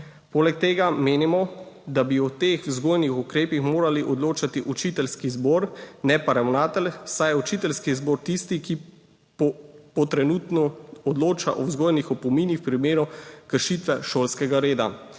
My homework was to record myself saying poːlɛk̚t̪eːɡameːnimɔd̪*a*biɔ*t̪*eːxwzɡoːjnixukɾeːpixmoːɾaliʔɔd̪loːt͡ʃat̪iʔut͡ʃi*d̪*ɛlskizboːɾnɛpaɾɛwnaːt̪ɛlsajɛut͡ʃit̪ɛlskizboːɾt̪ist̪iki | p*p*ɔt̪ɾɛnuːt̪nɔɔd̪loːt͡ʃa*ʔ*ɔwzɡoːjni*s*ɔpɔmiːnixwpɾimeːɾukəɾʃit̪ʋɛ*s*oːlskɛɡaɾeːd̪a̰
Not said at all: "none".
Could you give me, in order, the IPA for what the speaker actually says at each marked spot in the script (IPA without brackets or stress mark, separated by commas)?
a, t̪, t̪, p, ʔ, x, ʃ